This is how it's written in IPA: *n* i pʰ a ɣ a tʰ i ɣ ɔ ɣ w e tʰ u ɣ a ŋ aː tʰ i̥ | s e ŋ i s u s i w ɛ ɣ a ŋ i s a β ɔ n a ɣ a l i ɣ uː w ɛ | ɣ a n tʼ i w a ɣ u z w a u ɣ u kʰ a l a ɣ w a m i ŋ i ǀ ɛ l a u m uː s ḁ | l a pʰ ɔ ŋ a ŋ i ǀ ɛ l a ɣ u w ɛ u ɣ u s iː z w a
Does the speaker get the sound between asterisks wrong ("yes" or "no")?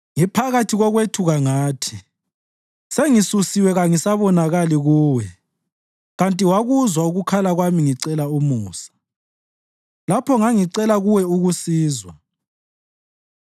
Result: yes